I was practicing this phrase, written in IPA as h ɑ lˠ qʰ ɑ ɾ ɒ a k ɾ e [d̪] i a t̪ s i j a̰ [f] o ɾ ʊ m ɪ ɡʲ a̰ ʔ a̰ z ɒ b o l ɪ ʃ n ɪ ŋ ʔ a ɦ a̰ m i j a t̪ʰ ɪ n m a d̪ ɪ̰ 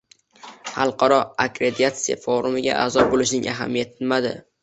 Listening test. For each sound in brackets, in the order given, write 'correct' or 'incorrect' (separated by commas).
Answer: correct, correct